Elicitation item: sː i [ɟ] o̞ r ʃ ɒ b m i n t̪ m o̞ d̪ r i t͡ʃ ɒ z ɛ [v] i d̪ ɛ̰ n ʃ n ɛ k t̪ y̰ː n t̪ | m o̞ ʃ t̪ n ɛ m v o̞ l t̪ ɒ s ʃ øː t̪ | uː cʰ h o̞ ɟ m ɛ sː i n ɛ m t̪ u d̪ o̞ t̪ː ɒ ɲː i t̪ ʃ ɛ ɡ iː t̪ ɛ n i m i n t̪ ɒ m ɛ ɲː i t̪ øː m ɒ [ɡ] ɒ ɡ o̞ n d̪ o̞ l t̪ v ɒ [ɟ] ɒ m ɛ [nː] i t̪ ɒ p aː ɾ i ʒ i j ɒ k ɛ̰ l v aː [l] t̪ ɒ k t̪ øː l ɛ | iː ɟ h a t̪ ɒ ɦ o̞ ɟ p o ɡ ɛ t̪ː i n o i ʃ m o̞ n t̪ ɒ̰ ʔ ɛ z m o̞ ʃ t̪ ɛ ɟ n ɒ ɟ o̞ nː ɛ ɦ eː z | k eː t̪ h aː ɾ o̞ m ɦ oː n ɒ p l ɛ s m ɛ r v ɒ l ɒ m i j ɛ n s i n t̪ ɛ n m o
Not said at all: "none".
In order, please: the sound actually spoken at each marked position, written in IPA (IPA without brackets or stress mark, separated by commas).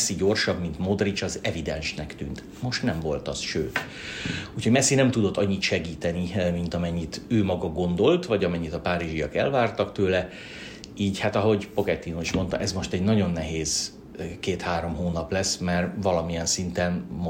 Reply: ɟ, v, ɡ, ɟ, ɲː, r